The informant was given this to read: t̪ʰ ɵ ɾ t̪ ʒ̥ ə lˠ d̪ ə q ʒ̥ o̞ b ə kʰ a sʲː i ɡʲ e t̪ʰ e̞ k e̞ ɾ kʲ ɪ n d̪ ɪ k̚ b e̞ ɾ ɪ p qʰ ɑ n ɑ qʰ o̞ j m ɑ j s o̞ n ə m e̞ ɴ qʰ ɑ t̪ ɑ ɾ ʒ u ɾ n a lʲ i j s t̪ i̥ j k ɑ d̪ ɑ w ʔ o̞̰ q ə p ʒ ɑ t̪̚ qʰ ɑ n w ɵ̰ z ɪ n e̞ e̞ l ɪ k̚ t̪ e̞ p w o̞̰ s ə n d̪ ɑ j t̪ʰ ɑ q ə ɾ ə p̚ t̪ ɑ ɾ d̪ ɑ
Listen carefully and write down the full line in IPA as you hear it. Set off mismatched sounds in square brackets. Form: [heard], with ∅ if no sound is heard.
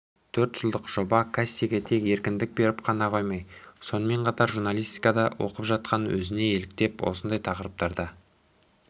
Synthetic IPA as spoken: t̪ʰ ɵ ɾ t̪ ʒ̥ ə lˠ d̪ ə q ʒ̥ o̞ b [ɑ] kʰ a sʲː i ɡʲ e t̪ʰ e̞ k e̞ ɾ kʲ ɪ n d̪ ɪ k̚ b e̞ ɾ ɪ p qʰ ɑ n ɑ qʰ o̞ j m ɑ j s o̞ n ə m e̞ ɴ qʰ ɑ t̪ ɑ ɾ ʒ u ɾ n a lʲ i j s t̪ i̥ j k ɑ d̪ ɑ w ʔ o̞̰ q ə p ʒ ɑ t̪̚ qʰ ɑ n w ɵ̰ z ɪ n e̞ e̞ l ɪ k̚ t̪ e̞ p w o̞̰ s ə n d̪ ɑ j t̪ʰ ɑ q ə ɾ ə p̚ t̪ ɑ ɾ d̪ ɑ